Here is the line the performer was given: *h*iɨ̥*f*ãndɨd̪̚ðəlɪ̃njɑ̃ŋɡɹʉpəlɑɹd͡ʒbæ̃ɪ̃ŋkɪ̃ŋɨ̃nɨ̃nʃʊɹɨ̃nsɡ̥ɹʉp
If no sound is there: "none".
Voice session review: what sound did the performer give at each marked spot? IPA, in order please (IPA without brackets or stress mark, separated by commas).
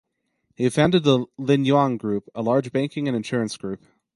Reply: h, f